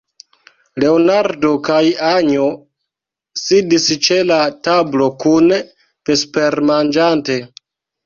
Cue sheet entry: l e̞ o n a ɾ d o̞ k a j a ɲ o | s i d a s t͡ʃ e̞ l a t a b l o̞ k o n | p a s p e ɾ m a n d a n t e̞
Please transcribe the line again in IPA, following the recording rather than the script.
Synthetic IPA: l e̞ o n a ɾ d o̞ k a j a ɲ o | s i d i s t͡ʃ e̞ l a t a b l o̞ k u n | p e s p e ɾ m a n d͡ʒ a n t e̞